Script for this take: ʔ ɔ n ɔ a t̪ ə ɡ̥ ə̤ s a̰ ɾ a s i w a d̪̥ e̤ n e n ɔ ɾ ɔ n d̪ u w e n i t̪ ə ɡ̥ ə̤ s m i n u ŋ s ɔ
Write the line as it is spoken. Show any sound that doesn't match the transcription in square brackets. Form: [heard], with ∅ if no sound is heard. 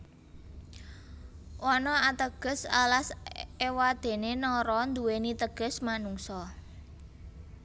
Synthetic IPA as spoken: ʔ ɔ n ɔ a t̪ ə ɡ̥ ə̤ s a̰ [l] a s [e] w a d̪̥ e̤ n e n ɔ ɾ ɔ n d̪ u w e n i t̪ ə ɡ̥ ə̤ s m [a] n u ŋ s ɔ